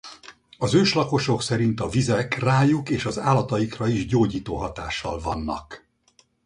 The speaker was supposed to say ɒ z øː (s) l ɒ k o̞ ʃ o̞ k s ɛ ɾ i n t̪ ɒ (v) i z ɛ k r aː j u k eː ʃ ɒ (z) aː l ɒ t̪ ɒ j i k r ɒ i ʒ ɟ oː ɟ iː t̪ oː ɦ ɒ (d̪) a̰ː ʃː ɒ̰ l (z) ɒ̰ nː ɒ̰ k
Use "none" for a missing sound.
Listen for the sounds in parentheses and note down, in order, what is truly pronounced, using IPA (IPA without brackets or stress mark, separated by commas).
ʃ, v, z, t̪, v